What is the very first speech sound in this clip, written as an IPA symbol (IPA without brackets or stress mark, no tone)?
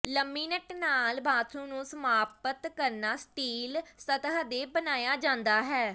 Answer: l